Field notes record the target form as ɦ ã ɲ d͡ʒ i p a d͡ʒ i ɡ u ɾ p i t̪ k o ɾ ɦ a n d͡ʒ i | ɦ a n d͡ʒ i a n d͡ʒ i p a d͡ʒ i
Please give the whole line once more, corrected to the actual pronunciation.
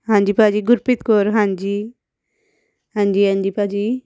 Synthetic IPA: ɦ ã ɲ d͡ʒ i p a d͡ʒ i ɡ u ɾ p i t̪ k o ɾ ɦ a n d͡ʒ i | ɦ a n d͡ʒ i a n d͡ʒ i p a d͡ʒ i

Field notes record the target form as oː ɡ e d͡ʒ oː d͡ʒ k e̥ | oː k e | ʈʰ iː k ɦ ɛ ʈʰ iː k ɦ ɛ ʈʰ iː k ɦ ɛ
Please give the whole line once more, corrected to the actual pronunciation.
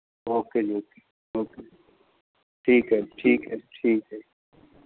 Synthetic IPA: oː k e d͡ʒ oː k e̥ | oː k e | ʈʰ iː k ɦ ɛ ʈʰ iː k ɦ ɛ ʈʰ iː k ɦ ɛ

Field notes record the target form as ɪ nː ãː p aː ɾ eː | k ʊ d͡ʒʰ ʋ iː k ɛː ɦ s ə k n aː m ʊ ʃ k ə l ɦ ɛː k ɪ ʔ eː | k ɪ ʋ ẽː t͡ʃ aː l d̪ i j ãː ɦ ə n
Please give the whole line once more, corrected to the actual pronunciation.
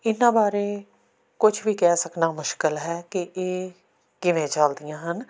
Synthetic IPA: ɪ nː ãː b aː ɾ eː | k ʊ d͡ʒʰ ʋ iː k ɛː s ə k n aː m ʊ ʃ k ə l ɦ ɛː k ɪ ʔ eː | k ɪ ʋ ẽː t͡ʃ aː l d̪ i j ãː ɦ ə n

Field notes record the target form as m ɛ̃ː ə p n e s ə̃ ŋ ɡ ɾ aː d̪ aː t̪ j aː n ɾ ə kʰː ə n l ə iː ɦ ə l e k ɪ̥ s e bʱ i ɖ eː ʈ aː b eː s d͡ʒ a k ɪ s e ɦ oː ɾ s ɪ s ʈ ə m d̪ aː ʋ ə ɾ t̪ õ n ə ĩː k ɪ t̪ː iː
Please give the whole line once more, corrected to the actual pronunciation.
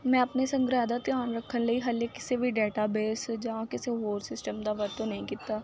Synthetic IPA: m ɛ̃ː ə p n e s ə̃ ŋ ɡ ɾ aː d̪ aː t̪ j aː n ɾ ə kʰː ə n l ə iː ɦ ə l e k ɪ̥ s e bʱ i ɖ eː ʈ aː b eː s d͡ʒ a k ɪ s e ɦ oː ɾ s ɪ s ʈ ə m d̪ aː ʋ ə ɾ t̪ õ n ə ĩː k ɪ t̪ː aː

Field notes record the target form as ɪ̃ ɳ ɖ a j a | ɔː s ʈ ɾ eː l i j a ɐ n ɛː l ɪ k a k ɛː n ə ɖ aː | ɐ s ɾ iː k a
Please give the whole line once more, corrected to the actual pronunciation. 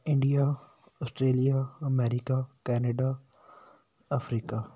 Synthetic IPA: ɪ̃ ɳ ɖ i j a | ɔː s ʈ ɾ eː l i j a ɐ m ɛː ɾ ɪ k a k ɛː n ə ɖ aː | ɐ f ɾ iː k a

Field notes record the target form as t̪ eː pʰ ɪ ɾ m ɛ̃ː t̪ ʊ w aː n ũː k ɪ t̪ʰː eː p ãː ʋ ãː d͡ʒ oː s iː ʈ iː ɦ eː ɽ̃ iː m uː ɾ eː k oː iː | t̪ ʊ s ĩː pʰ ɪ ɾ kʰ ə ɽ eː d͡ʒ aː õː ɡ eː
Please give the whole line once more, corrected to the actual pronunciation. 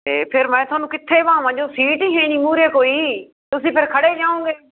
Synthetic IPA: t̪ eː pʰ ɪ ɾ m ɛ̃ː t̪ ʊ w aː n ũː k ɪ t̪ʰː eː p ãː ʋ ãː d͡ʒ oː s iː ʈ iː ɦ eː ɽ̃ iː m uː ɾ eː k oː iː | t̪ ʊ s ĩː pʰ ɪ ɾ kʰ ə ɽ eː d͡ʒ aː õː ɡ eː

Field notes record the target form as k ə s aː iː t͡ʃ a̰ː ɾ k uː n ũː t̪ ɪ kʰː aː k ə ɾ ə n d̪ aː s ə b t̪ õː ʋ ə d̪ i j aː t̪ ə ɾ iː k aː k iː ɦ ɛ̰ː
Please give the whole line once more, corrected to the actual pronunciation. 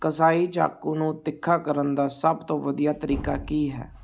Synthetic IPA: k ə s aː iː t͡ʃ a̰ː k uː n ũː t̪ ɪ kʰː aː k ə ɾ ə n d̪ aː s ə b t̪ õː ʋ ə d̪ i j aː t̪ ə ɾ iː k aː k iː ɦ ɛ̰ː

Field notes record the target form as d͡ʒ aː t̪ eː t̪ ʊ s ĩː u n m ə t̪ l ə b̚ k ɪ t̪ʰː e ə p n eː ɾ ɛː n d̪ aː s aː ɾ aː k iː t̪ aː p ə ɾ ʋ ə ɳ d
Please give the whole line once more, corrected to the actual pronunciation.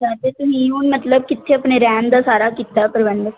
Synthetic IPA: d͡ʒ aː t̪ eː t̪ ʊ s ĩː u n m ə t̪ l ə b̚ k ɪ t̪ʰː e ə p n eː ɾ ɛː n d̪ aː s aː ɾ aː k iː t̪ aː p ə ɾ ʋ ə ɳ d

